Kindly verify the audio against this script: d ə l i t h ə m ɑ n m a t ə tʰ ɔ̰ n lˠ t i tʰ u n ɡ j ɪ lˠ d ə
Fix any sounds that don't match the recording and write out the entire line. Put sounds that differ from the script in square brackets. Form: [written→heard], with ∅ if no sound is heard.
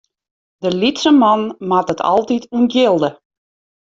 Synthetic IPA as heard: d ə l i t [h→s] ə m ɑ n m a t ə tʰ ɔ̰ [n→∅] lˠ t i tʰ u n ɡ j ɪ lˠ d ə